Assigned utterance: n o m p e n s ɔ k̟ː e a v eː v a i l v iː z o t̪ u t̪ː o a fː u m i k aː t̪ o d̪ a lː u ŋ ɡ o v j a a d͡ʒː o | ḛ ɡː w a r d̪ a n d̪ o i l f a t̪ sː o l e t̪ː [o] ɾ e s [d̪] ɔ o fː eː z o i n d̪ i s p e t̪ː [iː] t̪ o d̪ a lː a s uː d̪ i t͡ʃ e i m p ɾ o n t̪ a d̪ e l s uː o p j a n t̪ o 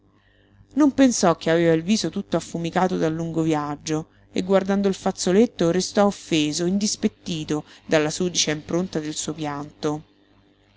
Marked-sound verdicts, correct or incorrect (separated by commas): correct, incorrect, correct